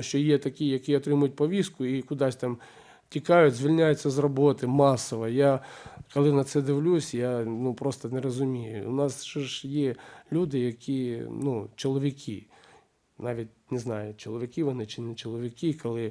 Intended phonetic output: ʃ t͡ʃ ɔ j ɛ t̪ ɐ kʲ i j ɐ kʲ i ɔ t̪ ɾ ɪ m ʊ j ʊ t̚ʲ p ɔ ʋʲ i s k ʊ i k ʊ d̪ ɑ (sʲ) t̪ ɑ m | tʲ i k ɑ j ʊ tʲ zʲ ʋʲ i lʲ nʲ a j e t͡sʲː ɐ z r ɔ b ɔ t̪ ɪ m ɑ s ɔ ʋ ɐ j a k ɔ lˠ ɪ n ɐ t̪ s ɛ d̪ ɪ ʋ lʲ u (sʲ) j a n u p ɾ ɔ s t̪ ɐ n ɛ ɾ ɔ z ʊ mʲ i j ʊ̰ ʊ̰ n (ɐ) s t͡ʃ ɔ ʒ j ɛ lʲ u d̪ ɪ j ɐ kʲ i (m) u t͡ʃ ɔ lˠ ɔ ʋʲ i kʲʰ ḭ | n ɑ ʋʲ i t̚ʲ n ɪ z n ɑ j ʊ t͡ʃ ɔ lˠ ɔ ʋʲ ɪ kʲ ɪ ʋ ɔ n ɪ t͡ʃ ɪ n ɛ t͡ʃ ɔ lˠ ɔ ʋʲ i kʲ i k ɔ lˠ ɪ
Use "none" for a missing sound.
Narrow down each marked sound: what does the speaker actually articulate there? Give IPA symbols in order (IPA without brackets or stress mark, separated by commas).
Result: sʲ, sʲ, ɑ, n